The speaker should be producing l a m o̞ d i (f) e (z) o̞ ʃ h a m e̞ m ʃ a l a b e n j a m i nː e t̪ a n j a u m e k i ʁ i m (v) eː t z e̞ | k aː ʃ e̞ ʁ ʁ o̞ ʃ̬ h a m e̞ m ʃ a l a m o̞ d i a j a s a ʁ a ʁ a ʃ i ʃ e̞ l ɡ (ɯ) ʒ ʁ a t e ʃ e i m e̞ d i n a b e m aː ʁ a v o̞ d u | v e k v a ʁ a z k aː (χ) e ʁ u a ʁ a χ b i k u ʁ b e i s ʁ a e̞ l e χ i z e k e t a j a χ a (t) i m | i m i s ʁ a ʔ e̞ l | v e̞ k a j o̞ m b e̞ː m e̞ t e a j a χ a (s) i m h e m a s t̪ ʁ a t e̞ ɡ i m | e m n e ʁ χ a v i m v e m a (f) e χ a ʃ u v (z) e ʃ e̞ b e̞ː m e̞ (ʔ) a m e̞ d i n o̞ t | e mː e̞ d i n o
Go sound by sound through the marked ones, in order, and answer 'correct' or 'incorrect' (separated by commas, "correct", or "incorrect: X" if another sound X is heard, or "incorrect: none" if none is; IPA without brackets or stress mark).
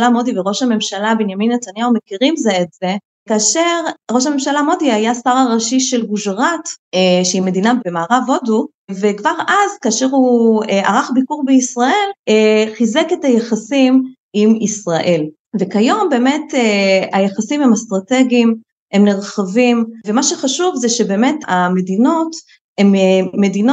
incorrect: v, incorrect: ʁ, incorrect: z, incorrect: u, incorrect: ʃ, incorrect: s, correct, incorrect: ʃ, correct, incorrect: t